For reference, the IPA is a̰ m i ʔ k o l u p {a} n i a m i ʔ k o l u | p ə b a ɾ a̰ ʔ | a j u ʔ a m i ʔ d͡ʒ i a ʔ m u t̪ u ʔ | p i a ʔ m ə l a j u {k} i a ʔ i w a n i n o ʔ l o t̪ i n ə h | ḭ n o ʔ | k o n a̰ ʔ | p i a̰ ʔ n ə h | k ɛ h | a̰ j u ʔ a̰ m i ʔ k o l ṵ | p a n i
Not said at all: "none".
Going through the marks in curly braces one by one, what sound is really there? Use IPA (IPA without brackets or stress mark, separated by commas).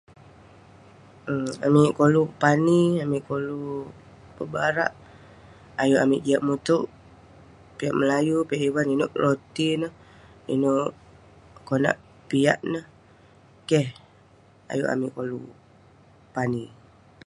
a, p